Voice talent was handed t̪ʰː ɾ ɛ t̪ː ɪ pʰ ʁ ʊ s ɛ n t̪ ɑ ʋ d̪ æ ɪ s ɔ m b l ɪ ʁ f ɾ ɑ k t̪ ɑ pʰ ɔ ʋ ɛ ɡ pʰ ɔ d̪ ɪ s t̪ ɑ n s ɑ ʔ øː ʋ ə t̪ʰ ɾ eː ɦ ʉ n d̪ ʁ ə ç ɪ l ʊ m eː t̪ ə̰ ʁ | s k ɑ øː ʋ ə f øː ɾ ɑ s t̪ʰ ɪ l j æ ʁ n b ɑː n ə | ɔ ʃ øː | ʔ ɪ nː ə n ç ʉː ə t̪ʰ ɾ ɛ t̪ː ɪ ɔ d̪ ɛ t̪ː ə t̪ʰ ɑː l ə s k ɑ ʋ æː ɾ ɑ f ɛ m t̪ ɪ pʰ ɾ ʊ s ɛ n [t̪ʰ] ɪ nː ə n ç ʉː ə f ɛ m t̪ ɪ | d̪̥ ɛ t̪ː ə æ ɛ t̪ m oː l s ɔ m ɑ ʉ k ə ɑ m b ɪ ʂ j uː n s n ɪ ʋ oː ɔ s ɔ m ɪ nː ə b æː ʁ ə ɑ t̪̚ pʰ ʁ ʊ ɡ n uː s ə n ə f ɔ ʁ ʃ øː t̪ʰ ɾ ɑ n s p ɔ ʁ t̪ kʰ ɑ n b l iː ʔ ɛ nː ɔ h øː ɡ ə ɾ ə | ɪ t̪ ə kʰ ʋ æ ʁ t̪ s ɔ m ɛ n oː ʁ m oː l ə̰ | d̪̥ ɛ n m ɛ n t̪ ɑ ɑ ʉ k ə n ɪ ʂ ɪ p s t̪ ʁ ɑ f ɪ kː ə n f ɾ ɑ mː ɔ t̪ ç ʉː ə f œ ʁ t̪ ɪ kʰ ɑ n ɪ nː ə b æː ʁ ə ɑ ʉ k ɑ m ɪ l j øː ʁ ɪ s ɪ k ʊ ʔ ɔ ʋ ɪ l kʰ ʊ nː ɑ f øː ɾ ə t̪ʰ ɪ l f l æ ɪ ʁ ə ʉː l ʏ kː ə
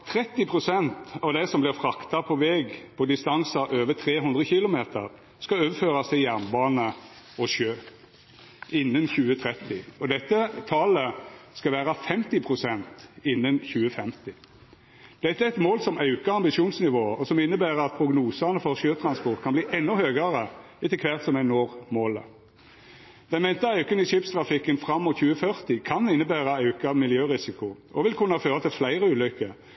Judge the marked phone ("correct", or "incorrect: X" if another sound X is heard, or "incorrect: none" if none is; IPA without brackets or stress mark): incorrect: t̪